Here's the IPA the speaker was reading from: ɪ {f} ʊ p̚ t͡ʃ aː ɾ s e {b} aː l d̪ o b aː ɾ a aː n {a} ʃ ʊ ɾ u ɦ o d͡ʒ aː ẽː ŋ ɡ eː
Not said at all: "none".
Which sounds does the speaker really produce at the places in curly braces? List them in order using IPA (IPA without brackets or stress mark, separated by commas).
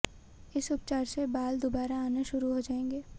s, b, e